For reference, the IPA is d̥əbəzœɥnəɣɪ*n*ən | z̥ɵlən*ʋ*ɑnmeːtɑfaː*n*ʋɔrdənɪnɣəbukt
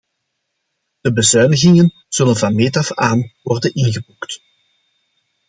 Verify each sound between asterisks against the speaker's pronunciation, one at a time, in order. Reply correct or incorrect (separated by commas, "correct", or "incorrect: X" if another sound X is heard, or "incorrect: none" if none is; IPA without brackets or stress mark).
incorrect: ŋ, incorrect: v, correct